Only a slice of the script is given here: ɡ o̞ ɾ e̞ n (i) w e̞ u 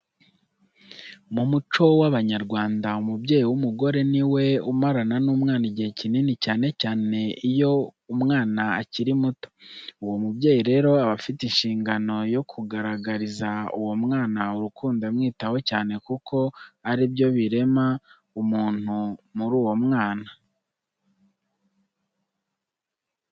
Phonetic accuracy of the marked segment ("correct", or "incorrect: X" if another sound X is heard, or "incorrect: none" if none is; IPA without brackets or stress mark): correct